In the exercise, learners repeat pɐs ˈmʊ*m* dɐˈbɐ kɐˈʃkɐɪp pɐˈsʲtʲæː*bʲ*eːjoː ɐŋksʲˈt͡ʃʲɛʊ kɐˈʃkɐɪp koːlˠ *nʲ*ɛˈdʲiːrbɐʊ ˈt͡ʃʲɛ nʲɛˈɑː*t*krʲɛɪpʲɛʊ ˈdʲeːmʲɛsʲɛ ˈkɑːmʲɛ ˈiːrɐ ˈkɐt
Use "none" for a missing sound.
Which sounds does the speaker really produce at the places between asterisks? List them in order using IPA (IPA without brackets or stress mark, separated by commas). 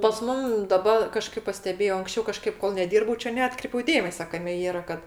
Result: m, bʲ, nʲ, t